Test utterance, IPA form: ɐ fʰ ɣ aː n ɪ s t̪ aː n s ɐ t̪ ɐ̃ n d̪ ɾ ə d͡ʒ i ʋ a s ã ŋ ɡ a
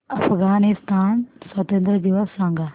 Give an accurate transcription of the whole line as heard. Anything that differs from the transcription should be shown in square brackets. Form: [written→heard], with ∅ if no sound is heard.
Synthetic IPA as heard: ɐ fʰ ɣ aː n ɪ s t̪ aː n s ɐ t̪ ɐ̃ n d̪ ɾ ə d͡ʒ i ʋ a s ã ŋ ɡ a

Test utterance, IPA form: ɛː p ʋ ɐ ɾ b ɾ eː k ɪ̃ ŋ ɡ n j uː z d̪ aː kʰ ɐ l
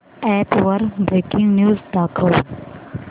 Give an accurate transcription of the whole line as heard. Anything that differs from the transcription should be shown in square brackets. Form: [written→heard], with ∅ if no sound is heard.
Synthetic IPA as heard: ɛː p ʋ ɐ ɾ b ɾ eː k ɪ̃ ŋ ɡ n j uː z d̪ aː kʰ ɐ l

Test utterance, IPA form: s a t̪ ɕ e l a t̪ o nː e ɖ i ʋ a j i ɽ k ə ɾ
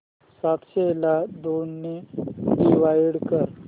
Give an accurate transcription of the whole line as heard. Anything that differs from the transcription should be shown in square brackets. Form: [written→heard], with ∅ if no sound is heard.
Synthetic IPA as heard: s a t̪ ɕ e l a [t̪→d̪] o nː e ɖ i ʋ a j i ɽ k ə ɾ

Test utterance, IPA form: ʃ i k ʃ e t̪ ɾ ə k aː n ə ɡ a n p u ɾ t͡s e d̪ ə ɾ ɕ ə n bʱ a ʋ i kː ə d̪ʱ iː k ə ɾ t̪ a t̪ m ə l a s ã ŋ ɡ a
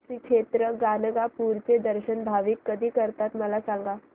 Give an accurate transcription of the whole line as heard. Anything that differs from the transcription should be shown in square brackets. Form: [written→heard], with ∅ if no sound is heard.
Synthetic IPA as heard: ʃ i k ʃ e t̪ ɾ ə [k→ɡ] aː n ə ɡ a [n→∅] p u ɾ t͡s e d̪ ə ɾ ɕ ə n bʱ a ʋ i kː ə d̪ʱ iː k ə ɾ t̪ a t̪ m ə l a s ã ŋ ɡ a

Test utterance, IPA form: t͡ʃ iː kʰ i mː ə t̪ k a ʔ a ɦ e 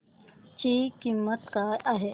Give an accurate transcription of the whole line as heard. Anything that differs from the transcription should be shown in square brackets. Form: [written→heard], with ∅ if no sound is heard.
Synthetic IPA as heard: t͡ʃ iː [kʰ→k] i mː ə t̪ k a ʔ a ɦ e

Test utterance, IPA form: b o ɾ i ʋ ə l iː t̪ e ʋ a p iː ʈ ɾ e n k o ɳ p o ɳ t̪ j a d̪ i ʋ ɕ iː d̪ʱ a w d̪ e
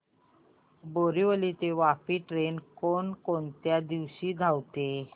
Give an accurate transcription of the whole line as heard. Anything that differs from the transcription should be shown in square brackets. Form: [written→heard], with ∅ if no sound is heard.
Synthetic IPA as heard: b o ɾ i ʋ ə l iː t̪ e ʋ a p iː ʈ ɾ e n k o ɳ [p→k] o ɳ t̪ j a d̪ i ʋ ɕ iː d̪ʱ a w [d̪→t̪] e

